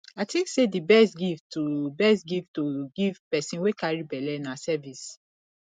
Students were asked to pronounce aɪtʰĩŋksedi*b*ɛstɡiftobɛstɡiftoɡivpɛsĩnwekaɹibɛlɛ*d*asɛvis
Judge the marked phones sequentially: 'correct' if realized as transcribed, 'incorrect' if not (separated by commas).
correct, incorrect